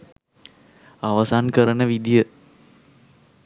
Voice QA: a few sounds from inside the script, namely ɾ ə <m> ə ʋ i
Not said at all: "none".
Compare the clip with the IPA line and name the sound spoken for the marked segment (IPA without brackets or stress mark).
n